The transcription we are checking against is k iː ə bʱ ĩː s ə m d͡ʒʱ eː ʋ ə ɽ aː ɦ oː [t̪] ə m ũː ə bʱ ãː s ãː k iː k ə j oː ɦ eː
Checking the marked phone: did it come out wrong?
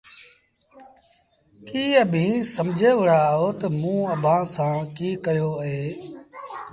no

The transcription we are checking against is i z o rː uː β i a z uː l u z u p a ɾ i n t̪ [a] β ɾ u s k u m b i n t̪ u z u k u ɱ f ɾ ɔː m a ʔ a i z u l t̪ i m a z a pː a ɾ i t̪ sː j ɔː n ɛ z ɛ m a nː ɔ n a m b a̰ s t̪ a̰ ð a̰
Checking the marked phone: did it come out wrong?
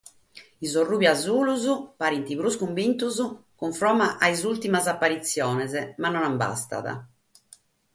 yes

